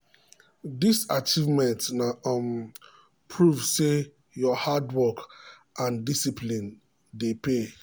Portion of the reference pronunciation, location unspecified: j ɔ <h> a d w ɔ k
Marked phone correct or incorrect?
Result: correct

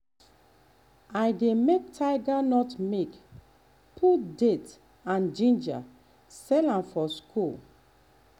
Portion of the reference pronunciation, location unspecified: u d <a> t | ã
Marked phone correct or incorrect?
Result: incorrect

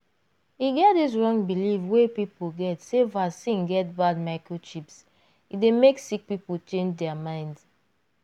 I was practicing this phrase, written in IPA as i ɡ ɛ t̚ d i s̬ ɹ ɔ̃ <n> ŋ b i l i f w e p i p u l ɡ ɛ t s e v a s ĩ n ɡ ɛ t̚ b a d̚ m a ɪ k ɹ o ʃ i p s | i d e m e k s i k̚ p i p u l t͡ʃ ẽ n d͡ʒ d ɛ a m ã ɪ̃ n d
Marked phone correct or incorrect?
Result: incorrect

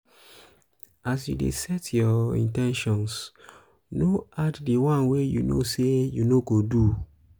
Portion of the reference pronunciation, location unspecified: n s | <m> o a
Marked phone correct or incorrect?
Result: incorrect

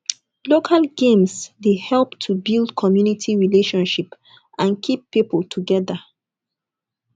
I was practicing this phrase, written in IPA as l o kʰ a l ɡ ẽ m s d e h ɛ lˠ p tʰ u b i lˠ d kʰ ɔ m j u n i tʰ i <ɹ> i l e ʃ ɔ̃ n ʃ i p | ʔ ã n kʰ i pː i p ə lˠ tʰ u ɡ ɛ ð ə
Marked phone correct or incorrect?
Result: correct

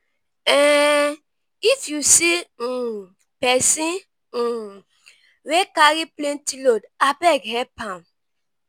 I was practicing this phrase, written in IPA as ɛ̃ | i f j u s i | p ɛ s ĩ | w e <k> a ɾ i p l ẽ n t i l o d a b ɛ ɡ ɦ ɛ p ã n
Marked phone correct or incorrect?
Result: correct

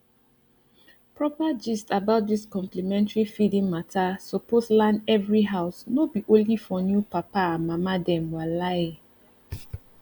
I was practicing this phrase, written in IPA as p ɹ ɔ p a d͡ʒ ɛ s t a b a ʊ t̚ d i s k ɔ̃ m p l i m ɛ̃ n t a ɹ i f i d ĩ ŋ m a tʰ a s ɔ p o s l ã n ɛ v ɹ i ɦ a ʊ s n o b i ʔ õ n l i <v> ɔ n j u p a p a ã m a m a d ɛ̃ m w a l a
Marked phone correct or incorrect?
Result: incorrect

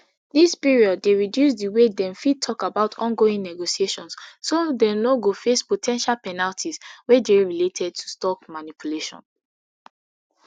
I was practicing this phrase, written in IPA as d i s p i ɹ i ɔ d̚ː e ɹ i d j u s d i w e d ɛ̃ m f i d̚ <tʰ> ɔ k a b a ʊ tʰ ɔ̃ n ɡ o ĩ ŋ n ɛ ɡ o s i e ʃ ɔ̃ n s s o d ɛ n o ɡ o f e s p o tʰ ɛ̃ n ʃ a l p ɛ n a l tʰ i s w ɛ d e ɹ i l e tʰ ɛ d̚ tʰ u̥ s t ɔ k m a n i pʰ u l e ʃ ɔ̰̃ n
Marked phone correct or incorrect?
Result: correct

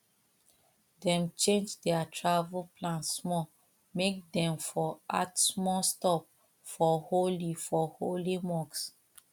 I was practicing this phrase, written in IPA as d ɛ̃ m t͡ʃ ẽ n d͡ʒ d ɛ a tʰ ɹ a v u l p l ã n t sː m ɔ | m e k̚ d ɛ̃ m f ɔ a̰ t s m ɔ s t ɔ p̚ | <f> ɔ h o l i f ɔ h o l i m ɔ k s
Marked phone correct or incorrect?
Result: correct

